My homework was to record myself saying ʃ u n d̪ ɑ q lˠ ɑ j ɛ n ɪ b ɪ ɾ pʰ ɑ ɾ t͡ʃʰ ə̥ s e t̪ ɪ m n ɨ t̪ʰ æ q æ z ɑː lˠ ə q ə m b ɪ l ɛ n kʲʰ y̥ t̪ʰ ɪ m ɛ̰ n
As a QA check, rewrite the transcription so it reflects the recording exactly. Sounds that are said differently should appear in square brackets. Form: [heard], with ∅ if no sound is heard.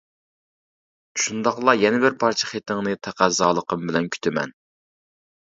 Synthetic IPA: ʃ u n d̪ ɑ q lˠ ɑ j ɛ n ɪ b ɪ ɾ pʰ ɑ ɾ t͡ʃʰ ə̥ [χ] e t̪ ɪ [ŋ] n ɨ t̪ʰ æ q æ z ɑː lˠ ə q ə m b ɪ l ɛ n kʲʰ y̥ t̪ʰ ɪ m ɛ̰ n